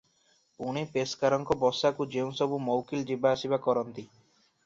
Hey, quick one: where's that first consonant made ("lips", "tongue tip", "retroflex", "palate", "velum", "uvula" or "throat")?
retroflex